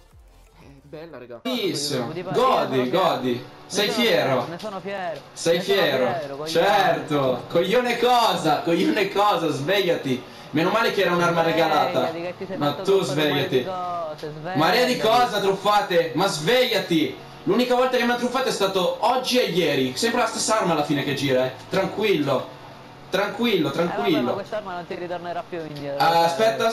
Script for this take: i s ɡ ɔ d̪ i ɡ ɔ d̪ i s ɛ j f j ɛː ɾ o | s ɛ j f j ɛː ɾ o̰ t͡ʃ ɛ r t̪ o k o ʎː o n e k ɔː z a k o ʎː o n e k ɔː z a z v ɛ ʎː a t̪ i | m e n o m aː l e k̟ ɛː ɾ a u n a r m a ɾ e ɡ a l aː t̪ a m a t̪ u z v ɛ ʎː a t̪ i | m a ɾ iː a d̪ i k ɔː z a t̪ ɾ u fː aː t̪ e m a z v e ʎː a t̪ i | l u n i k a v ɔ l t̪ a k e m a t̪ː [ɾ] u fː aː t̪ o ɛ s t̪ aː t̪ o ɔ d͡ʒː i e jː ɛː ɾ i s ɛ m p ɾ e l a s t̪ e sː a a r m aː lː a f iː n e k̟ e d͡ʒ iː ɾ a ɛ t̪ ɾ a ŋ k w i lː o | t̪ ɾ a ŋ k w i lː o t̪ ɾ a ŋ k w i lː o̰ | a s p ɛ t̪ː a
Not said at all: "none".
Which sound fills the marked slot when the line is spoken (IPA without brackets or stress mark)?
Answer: ɾ